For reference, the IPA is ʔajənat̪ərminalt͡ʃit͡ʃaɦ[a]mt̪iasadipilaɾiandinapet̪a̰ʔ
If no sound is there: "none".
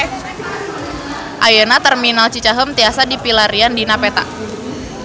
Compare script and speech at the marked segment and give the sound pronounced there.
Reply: ə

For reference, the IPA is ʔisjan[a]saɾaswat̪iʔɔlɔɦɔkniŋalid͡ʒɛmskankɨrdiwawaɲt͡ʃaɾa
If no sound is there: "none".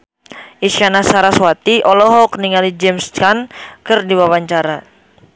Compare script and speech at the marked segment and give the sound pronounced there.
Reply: a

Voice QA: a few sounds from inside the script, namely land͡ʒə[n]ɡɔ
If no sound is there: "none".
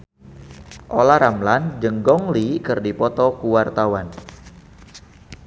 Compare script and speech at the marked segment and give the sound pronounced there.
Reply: ŋ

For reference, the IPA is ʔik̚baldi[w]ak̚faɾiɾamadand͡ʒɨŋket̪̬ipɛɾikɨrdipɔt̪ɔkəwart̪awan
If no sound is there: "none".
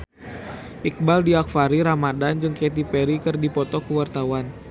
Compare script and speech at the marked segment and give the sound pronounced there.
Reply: none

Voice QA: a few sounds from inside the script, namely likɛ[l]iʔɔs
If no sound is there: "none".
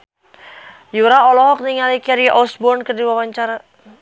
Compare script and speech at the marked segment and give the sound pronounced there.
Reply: ɾ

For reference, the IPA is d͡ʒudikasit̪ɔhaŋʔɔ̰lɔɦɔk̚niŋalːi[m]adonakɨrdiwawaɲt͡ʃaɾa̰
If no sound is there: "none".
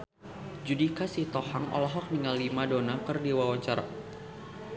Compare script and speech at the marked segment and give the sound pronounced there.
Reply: m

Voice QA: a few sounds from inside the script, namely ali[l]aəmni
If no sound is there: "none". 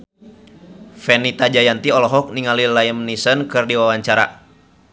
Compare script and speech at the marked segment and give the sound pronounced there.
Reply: l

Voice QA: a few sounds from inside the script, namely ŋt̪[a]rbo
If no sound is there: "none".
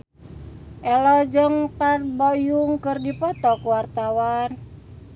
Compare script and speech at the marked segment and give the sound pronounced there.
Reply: a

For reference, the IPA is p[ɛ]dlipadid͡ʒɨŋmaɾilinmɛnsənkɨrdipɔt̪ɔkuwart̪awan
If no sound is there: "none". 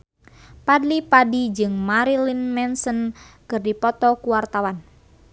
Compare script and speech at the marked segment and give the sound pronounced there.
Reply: a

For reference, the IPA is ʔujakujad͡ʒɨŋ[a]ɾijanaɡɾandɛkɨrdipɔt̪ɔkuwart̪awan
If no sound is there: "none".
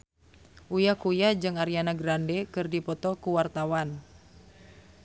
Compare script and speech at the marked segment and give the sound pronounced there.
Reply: a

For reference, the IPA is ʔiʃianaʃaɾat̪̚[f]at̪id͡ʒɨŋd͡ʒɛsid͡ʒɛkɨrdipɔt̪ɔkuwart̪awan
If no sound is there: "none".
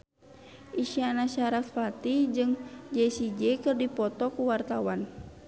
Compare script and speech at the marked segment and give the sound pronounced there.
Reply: f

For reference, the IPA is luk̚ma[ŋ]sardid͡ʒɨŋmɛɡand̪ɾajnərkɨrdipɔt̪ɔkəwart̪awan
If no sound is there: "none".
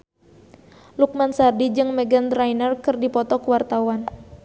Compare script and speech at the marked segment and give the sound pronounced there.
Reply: n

